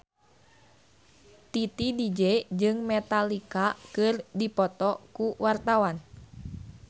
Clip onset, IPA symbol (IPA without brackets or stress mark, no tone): t̪